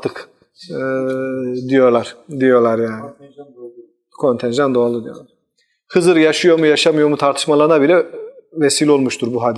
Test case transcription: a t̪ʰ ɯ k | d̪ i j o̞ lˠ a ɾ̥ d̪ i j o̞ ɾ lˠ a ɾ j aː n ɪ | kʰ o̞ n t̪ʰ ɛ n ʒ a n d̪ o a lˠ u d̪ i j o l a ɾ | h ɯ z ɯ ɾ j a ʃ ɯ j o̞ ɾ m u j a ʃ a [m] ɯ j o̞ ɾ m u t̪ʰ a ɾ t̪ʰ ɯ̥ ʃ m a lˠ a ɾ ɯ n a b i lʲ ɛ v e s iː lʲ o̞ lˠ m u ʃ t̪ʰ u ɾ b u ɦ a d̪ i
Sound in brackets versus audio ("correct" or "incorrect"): correct